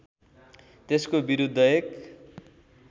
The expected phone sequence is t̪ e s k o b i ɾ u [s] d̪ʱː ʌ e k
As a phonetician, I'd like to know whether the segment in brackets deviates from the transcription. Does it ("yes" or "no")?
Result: yes